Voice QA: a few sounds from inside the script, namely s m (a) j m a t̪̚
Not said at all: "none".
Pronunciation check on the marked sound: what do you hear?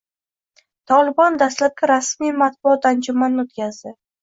i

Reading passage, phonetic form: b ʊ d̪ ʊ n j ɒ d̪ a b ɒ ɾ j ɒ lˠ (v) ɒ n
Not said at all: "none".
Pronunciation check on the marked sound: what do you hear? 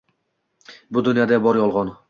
ʁ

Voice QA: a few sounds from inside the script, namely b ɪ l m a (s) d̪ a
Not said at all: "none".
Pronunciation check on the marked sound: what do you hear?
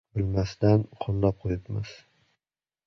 s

